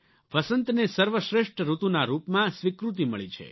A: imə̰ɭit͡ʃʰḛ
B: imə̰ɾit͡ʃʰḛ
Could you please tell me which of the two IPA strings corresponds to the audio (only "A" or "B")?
A